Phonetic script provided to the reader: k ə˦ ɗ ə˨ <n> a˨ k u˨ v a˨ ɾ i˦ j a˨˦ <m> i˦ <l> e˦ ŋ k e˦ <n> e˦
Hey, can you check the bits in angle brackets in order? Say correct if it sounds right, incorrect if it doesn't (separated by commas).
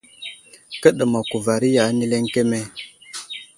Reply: incorrect, incorrect, correct, incorrect